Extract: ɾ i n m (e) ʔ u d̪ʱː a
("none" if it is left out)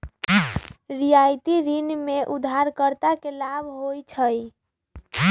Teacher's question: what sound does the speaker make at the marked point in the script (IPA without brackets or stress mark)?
e